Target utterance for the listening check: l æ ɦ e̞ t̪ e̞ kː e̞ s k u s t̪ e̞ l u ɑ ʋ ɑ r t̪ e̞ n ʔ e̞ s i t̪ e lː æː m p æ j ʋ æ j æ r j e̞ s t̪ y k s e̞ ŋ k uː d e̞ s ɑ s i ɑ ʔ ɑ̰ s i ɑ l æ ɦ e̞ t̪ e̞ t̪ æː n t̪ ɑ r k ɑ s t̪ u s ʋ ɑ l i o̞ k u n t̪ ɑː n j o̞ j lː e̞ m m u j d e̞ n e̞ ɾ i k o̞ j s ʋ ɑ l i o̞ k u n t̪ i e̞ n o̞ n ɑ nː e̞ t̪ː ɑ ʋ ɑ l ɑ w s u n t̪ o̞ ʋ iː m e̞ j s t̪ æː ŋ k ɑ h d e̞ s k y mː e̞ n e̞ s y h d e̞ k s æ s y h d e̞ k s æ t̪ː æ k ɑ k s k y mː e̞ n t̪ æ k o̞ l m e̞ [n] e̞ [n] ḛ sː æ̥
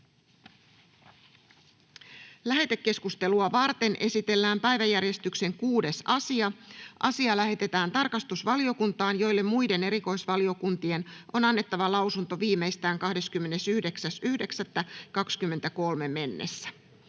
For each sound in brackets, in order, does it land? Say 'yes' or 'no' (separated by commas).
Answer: no, no